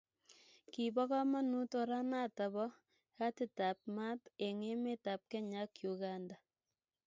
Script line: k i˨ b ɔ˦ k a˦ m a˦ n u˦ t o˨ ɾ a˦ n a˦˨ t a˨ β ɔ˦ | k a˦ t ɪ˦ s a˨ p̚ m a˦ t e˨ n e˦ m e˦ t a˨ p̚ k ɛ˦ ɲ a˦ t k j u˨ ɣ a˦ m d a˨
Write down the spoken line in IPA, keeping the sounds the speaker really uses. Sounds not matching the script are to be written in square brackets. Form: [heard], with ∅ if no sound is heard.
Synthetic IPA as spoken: k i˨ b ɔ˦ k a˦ m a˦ n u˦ t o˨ ɾ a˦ n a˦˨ t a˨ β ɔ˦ | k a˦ t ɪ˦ [t] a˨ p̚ m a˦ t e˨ [ŋ] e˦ m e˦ t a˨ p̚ k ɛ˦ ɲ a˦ [∅] k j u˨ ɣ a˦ [n] d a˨